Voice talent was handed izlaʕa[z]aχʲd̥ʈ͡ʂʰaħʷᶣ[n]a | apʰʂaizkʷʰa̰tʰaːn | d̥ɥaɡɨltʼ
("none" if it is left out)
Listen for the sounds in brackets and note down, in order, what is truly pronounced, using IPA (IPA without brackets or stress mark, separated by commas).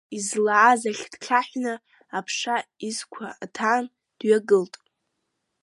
z, n